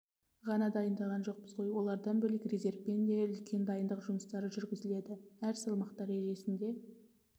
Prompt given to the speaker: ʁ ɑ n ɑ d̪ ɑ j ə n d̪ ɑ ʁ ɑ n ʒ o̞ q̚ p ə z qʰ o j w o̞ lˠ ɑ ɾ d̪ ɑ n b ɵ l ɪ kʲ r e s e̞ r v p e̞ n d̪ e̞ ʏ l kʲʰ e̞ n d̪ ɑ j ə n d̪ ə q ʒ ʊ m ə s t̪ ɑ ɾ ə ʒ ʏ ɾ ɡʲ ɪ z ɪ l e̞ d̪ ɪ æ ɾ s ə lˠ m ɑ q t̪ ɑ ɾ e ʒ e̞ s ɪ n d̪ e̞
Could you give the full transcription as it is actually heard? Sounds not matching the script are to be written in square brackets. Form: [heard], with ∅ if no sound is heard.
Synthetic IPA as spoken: ʁ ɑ n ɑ d̪ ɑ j ə n d̪ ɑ ʁ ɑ n ʒ o̞ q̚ p ə z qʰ o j w o̞ lˠ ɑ ɾ d̪ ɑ n b ɵ l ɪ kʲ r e [z] e̞ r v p e̞ n d̪ e̞ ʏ l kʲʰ e̞ n d̪ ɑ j ə n d̪ ə q ʒ ʊ m ə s t̪ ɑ ɾ ə ʒ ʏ ɾ ɡʲ ɪ z ɪ l e̞ d̪ ɪ æ ɾ s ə lˠ m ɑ q t̪ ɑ ɾ e ʒ e̞ s ɪ n d̪ e̞